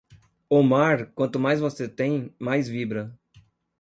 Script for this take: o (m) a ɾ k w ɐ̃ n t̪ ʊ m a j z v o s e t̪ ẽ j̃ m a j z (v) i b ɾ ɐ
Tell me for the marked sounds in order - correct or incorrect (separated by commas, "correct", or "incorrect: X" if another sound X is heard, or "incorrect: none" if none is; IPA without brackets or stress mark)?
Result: correct, correct